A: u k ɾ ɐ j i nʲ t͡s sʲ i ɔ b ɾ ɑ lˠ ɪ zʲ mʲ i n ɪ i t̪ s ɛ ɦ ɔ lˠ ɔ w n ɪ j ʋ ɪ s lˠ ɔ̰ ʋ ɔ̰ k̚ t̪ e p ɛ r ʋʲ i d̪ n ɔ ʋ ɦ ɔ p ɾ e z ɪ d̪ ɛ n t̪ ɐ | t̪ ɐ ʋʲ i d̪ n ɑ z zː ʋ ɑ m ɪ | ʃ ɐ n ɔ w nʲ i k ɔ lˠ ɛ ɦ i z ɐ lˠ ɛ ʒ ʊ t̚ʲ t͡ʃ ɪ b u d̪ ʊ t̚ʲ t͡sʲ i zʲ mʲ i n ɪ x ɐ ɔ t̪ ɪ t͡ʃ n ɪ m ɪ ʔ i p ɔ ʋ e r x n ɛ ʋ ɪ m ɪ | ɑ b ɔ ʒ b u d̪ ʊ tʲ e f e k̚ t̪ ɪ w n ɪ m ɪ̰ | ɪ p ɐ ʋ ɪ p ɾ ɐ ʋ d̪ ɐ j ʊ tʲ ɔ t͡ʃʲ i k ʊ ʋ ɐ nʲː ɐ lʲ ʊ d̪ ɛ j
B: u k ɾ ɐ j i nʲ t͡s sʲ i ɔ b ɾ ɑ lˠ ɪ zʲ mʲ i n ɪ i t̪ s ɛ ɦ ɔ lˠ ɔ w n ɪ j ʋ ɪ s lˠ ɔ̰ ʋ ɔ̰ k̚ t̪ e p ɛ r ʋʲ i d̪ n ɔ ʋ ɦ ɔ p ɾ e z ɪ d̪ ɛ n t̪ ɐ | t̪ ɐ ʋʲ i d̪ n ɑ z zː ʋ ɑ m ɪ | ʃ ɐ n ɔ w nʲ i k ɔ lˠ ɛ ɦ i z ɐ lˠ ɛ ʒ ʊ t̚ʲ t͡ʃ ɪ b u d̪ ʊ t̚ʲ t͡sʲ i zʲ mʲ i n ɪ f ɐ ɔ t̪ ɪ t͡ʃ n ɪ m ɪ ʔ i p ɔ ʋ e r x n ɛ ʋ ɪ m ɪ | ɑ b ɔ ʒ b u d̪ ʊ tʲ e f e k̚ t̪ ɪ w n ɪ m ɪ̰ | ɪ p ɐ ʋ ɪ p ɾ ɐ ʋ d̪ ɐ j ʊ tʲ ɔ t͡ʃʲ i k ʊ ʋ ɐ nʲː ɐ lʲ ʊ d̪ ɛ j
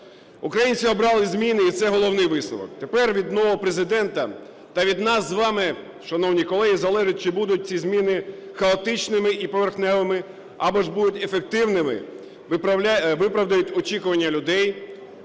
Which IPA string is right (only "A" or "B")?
A